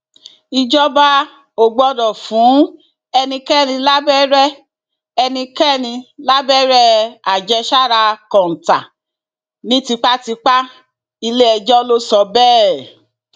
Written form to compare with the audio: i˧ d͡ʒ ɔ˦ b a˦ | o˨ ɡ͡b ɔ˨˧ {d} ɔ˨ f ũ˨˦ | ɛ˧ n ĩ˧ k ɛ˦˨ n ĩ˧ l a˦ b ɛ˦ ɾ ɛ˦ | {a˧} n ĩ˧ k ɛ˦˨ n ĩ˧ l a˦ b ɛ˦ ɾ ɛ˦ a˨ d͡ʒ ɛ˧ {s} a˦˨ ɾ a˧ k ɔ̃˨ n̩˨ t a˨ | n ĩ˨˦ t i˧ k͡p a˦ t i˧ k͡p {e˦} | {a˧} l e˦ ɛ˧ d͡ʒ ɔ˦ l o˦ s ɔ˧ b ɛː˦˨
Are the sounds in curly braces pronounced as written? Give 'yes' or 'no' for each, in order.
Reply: yes, no, no, no, no

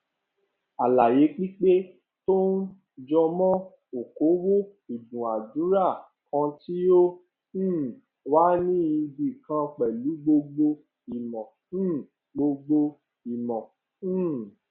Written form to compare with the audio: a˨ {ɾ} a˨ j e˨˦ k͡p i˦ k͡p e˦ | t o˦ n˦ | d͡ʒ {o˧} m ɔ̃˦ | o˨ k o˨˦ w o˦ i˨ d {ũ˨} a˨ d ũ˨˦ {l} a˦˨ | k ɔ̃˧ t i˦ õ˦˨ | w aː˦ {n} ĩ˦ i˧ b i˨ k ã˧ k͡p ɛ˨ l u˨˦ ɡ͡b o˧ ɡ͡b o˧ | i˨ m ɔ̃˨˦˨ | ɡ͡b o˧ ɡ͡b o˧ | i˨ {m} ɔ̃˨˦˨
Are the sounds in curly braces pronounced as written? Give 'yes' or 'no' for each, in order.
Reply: no, no, yes, no, yes, yes

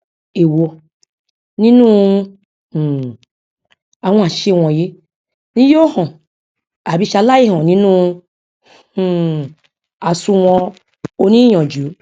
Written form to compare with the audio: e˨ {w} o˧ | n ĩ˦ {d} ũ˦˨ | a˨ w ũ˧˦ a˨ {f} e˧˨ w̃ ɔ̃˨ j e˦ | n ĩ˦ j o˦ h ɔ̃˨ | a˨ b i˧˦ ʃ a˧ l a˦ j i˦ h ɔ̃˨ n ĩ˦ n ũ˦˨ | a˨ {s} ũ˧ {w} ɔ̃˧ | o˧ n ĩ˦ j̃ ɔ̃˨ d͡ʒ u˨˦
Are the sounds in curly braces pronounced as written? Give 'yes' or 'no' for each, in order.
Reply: yes, no, no, yes, yes

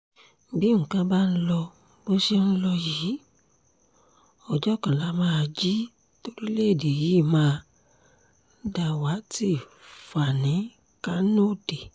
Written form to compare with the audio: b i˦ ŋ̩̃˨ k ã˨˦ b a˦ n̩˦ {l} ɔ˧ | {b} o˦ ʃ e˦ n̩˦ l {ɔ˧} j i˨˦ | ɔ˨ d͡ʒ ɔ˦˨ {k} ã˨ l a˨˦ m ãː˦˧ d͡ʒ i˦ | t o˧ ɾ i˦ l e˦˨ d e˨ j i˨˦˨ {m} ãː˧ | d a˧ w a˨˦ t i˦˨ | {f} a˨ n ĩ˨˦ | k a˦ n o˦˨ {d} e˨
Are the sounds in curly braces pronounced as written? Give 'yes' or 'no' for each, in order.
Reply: yes, yes, yes, yes, yes, yes, yes

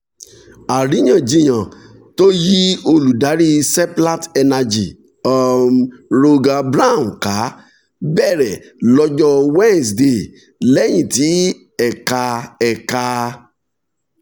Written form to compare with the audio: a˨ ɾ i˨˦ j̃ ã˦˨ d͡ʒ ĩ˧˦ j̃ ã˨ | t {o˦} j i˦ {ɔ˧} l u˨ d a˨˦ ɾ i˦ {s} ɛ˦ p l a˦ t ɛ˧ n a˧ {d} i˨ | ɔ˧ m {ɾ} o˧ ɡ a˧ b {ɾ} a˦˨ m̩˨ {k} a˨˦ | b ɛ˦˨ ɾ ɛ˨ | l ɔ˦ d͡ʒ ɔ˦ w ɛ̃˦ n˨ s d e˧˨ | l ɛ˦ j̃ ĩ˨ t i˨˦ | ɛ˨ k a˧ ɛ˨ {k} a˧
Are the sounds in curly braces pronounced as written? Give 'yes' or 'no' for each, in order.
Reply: yes, no, yes, no, yes, yes, yes, yes

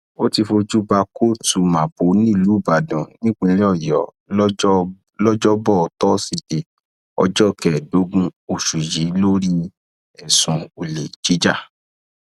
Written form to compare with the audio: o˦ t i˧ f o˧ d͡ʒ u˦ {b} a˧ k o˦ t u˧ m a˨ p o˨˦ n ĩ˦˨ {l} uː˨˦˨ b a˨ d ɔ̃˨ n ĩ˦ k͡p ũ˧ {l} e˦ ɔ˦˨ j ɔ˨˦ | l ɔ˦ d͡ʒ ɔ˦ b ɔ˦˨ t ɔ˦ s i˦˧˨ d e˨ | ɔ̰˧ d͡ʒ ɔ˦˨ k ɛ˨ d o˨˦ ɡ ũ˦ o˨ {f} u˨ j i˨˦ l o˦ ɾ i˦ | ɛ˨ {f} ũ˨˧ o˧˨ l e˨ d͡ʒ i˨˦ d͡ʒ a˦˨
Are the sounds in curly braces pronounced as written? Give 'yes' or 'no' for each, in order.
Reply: yes, yes, yes, no, no

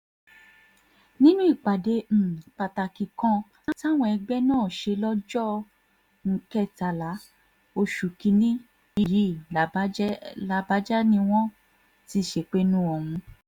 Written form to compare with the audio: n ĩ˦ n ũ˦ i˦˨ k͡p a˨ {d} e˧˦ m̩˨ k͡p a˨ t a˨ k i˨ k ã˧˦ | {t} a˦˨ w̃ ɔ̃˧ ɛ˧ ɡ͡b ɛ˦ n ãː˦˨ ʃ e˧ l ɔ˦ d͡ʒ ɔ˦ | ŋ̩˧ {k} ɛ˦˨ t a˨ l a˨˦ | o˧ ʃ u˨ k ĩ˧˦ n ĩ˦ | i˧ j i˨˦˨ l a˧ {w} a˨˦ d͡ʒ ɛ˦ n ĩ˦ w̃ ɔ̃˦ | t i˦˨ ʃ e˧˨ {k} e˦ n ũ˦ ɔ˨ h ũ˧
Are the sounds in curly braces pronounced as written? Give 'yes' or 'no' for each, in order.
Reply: yes, yes, yes, no, no

